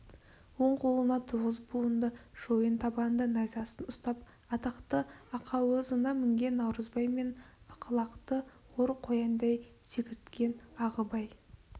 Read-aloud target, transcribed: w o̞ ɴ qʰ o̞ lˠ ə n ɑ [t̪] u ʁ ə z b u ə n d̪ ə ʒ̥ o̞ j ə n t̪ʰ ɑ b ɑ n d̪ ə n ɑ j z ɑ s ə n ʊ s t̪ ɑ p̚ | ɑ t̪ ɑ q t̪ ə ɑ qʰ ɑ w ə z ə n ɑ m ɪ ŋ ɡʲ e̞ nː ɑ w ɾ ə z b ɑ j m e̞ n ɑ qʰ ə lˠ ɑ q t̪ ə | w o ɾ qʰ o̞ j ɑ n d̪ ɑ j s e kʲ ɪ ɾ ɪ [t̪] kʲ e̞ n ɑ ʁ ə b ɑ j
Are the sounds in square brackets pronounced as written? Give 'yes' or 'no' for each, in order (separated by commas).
no, yes